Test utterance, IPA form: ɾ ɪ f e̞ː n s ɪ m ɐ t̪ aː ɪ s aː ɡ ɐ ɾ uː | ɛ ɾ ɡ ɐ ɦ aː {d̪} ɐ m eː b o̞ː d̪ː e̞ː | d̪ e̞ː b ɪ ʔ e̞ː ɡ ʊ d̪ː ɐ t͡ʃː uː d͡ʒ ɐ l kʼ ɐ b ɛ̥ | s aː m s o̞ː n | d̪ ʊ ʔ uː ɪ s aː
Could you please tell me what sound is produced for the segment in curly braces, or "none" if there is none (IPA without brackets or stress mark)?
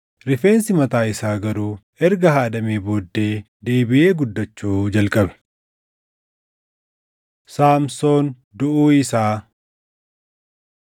d̪